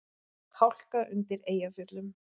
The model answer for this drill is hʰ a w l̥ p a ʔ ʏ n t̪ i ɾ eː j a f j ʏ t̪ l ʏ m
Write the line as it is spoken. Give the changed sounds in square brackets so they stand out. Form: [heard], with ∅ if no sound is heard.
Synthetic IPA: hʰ a w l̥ [k] a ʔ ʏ n t̪ [ɪ] ɾ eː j a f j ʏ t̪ l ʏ m

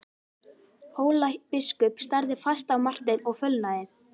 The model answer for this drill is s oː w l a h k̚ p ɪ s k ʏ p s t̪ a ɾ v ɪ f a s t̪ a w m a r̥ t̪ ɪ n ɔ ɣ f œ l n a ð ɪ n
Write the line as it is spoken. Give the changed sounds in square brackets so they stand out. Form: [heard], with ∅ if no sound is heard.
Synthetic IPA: [h] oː w l a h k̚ p ɪ s k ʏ p s t̪ a ɾ [ð] ɪ f a s t̪ a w m a r̥ t̪ ɪ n ɔ ɣ f œ l n a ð ɪ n

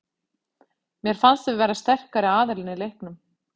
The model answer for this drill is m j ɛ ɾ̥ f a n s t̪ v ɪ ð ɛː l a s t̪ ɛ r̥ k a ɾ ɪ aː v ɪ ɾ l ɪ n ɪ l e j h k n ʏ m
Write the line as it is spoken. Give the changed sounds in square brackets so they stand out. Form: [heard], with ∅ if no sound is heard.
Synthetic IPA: m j ɛ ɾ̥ f a n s t̪ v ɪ [v] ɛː [ɾ] a s t̪ ɛ r̥ k a ɾ ɪ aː [ð] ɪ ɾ l ɪ n ɪ l e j h k n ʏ m

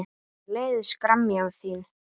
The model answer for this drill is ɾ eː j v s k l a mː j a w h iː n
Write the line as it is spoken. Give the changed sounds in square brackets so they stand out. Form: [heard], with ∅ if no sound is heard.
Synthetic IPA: [l] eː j [ð] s k [ɾ] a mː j a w [θ] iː n

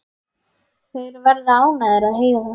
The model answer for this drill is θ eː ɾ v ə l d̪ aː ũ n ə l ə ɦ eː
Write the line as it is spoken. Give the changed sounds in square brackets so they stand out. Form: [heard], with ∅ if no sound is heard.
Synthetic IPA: [s] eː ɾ [ʋ] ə [ɾ] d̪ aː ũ n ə [ɾ] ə ɦ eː

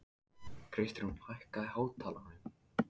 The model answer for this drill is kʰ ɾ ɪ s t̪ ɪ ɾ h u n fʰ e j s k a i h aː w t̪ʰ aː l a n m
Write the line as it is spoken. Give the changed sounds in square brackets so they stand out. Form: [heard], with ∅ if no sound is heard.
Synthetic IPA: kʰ ɾ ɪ s t̪ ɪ ɾ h u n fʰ [a] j [h] k a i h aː w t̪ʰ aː l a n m

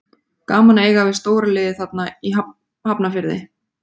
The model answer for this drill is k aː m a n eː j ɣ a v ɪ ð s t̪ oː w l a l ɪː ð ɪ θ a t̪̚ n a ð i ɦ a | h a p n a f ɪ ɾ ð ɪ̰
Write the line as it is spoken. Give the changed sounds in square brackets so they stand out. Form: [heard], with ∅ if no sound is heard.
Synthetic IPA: k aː m a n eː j ɣ a v ɪ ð s t̪ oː w [ɾ] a l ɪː ð ɪ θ a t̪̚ n a [∅] i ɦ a | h a p n a f ɪ ɾ ð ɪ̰

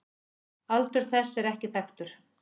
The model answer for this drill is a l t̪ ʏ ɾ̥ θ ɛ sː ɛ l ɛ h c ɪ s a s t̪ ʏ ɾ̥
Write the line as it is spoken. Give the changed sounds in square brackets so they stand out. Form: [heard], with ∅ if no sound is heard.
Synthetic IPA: a l t̪ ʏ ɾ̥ θ ɛ sː ɛ [ɾ] ɛ h c ɪ [θ] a [x] t̪ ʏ ɾ̥

